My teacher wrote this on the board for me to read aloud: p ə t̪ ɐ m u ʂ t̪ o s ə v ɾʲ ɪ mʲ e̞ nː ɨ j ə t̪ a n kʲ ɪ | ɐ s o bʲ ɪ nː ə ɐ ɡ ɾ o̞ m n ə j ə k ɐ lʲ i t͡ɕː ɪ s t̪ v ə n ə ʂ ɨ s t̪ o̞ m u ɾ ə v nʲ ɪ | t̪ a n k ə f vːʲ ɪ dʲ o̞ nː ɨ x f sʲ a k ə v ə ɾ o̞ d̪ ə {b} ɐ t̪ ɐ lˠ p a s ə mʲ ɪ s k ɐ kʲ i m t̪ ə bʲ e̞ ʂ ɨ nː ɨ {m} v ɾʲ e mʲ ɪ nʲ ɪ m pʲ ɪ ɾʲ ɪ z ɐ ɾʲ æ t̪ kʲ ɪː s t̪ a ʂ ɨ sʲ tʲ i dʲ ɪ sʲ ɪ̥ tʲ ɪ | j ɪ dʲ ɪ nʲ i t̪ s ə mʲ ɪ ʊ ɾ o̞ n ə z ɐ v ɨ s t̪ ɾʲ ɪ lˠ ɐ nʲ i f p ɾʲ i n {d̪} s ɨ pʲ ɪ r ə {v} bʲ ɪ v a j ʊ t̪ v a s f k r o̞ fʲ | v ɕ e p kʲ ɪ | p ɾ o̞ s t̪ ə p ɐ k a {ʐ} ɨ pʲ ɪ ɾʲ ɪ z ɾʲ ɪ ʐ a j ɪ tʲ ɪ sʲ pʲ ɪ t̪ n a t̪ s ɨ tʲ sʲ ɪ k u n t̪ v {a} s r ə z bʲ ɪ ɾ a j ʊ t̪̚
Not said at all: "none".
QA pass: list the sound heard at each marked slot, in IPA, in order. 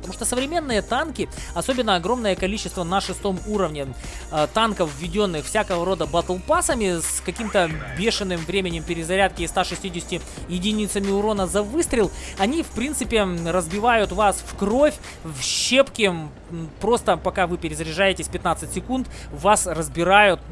b, m, t̪, z, v, a

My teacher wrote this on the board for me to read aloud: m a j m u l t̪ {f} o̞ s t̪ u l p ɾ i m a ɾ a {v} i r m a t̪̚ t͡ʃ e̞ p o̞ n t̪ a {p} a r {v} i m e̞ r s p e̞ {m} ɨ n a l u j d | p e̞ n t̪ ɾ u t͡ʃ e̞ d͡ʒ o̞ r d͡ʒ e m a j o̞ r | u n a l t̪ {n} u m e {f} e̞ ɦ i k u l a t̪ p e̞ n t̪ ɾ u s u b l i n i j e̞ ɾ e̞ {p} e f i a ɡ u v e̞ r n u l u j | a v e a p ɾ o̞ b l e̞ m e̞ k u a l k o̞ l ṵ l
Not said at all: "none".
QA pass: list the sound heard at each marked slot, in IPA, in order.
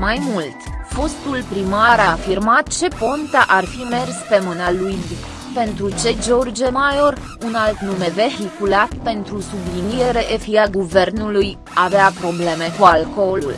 f, f, ʔ, f, m, n, v, ʔ

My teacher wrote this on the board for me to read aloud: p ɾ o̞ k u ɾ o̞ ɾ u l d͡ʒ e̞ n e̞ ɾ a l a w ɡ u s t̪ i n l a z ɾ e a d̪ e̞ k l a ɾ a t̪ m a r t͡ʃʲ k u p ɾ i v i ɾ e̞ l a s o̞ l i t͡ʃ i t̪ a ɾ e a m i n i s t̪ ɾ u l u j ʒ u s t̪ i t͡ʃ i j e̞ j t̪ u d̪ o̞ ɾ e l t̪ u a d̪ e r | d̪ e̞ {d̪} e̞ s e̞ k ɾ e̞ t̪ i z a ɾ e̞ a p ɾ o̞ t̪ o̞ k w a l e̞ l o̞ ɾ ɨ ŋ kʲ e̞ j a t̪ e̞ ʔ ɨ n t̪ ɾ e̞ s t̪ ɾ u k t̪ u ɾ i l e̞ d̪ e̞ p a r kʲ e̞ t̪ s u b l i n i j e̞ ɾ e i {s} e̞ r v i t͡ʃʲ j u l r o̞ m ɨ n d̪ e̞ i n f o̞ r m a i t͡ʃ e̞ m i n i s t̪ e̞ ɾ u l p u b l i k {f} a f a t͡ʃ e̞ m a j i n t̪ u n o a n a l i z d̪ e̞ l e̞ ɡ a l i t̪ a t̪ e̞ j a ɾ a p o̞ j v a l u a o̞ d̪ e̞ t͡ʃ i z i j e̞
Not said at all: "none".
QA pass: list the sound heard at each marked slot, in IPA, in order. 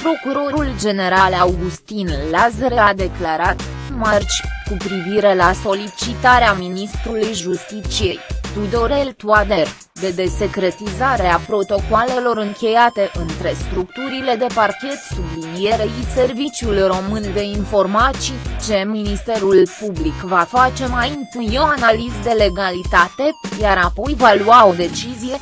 d̪, s, v

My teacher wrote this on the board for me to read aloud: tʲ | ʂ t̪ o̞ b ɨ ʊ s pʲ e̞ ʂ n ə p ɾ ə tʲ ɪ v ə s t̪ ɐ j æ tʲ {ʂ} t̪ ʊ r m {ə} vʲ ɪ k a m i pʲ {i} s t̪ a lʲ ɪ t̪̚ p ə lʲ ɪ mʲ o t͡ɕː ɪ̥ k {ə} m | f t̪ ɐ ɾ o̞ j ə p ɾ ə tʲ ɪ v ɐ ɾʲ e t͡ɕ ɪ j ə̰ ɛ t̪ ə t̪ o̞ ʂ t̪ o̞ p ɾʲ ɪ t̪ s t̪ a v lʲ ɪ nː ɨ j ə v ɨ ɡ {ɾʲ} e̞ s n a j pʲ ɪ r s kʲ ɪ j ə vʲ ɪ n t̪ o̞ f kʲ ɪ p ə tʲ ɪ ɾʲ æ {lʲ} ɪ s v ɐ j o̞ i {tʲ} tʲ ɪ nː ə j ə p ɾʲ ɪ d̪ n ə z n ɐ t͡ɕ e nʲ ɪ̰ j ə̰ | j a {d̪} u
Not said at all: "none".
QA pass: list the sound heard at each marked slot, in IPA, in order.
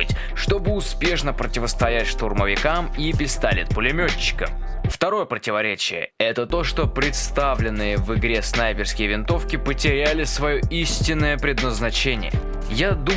ʂ, ə, ɪ, ə, ɾʲ, lʲ, sʲ, d̪

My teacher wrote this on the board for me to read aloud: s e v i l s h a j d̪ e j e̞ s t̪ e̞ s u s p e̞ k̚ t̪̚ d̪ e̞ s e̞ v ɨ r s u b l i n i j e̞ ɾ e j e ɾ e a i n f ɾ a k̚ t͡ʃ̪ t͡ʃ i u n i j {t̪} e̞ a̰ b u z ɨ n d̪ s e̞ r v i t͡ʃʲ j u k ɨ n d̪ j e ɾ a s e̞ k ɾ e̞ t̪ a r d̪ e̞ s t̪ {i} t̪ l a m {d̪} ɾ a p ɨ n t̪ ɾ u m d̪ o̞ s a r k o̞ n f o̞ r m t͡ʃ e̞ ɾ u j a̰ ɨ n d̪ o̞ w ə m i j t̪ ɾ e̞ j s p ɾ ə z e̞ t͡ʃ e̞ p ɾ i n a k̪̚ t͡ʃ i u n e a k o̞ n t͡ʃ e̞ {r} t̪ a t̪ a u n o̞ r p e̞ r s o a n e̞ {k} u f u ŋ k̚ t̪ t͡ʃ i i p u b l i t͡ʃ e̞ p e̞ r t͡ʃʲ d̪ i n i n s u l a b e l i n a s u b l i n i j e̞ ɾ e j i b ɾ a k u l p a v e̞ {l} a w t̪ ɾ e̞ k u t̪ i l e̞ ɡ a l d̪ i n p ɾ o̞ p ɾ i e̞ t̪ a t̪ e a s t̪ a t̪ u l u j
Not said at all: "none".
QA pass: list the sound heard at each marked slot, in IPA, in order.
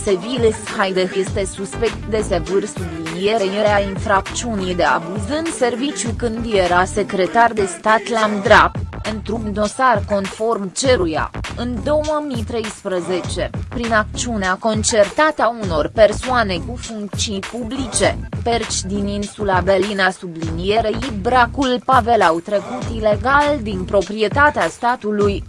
d̪, a, d̪, r, k, l

